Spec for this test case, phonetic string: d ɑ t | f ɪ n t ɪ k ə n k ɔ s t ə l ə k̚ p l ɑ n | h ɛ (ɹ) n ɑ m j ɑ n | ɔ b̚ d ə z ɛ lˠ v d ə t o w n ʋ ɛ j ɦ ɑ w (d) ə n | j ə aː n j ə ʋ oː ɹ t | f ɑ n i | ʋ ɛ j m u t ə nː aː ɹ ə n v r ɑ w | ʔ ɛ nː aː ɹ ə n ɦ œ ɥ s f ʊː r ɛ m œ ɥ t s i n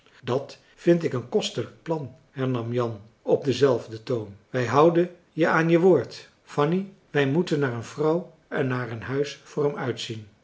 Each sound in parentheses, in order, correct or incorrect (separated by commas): correct, correct